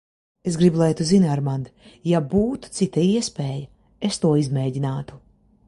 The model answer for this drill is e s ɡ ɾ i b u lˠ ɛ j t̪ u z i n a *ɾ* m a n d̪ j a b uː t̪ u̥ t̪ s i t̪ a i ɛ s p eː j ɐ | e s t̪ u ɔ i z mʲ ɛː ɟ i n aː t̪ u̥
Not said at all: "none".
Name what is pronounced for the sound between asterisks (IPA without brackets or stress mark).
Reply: ɾ